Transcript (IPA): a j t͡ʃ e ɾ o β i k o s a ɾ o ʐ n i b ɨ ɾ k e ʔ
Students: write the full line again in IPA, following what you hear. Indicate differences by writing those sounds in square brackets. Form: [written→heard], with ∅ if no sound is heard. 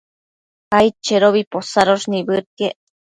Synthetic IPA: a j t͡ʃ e ɾ o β i [k→p] o s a ɾ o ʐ n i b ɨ ɾ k e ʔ